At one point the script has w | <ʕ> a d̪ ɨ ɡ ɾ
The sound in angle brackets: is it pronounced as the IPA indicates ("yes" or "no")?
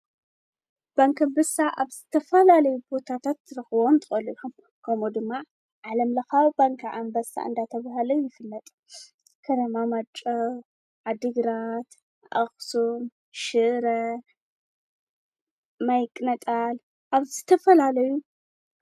yes